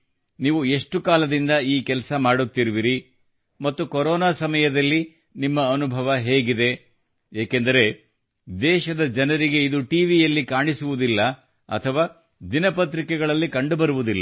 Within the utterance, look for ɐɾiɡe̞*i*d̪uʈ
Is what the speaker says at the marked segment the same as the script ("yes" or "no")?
yes